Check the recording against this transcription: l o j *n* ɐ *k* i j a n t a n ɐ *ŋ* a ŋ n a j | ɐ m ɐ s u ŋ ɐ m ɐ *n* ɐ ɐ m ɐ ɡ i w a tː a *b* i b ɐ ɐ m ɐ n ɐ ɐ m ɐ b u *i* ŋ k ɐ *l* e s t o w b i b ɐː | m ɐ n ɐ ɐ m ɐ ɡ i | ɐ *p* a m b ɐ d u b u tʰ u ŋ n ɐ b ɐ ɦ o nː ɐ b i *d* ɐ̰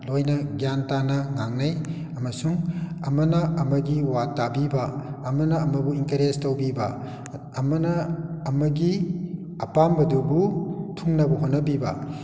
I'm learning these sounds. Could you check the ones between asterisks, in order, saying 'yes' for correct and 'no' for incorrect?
yes, no, yes, yes, yes, yes, no, yes, no

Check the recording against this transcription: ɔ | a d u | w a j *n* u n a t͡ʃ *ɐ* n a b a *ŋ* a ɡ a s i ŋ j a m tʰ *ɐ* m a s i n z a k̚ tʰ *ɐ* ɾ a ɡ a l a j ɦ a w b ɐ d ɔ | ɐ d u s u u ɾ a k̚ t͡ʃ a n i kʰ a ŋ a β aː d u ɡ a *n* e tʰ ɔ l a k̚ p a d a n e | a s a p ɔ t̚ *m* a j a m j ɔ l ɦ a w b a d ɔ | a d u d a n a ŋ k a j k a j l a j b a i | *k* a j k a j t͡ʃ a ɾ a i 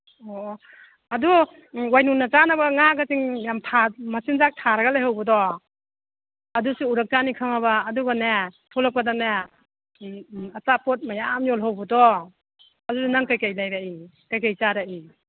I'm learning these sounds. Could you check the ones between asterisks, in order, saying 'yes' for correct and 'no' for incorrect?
yes, no, yes, no, no, yes, yes, yes

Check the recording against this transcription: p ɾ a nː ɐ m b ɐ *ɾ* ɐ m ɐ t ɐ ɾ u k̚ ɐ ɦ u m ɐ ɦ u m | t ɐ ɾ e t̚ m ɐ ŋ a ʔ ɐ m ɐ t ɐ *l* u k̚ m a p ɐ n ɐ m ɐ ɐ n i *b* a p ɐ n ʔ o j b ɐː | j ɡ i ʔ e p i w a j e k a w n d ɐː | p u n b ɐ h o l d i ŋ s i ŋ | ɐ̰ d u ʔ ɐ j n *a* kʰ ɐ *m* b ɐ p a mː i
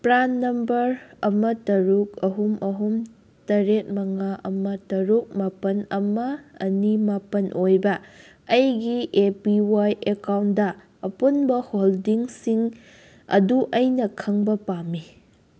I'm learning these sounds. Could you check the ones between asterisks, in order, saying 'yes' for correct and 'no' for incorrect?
yes, no, no, no, no

